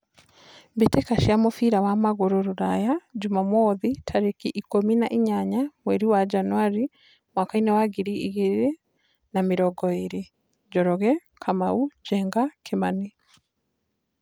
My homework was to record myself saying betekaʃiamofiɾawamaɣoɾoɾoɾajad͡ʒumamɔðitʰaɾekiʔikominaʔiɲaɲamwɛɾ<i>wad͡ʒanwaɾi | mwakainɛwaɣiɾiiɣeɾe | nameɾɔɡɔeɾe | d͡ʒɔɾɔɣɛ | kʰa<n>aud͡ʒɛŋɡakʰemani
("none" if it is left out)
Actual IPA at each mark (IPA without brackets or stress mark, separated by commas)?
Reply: i, m